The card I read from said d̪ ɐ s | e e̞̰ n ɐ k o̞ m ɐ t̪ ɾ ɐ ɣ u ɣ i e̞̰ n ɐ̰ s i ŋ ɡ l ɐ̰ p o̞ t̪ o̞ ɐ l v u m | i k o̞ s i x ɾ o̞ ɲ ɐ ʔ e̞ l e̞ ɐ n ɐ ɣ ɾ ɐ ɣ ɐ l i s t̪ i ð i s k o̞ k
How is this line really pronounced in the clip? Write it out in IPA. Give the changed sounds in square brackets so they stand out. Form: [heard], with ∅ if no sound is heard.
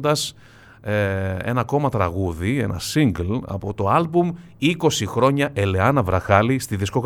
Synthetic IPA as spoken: d̪ ɐ s | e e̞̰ n ɐ k o̞ m ɐ t̪ ɾ ɐ ɣ u [ð] i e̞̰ n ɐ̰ s i ŋ ɡ l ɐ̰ p o̞ t̪ o̞ ɐ l [b] u m | i k o̞ s i x ɾ o̞ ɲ ɐ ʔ e̞ l e̞ ɐ n ɐ [v] ɾ ɐ [x] ɐ l i s t̪ i ð i s k o̞ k